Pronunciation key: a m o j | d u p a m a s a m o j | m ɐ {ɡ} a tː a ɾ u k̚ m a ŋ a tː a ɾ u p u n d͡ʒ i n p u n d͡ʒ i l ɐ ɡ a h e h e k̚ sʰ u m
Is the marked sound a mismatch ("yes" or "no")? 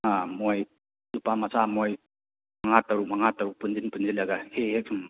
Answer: yes